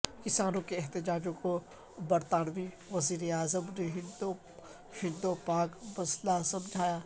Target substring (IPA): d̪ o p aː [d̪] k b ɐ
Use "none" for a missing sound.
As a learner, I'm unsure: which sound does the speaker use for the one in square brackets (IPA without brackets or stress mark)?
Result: none